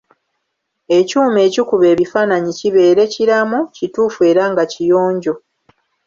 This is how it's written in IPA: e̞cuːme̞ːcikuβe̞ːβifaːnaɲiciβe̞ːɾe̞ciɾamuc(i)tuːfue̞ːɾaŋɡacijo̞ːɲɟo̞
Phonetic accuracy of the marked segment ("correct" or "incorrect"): correct